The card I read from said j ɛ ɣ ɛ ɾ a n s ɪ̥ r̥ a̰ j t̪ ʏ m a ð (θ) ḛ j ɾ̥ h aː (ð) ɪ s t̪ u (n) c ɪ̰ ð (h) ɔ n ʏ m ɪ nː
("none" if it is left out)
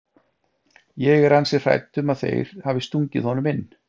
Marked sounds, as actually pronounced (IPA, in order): θ, v, ɲ, h

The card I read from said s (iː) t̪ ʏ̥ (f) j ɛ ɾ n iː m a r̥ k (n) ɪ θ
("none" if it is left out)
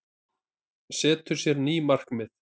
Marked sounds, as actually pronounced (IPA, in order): ɛː, s, m

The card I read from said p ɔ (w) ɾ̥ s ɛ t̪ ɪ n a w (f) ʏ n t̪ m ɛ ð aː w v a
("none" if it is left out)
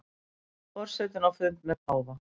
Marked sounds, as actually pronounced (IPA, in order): none, f

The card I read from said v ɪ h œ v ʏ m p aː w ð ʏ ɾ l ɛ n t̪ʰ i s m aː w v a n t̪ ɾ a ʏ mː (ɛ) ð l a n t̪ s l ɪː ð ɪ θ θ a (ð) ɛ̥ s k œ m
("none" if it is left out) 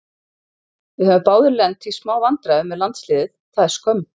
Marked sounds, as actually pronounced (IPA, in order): ɛ, ð

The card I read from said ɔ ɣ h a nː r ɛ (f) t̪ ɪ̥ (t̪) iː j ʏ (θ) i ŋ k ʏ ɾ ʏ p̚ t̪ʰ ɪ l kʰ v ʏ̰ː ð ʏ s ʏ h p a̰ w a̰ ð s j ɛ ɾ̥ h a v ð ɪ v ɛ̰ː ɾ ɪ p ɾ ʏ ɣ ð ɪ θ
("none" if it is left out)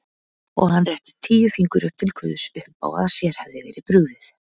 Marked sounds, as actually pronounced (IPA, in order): h, t̪ʰ, f

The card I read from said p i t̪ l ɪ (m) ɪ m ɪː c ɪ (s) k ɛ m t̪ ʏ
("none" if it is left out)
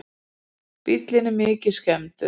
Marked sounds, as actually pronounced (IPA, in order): n, s

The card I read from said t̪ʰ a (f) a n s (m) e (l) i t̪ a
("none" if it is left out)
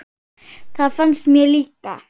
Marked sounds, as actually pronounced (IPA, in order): f, m, l

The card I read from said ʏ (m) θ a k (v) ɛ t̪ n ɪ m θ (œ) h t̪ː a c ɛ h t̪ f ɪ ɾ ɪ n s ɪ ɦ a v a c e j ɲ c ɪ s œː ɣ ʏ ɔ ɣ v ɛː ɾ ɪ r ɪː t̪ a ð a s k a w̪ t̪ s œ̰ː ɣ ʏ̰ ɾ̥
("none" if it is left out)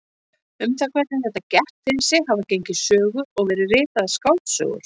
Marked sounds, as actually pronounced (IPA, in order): m, v, ɛ

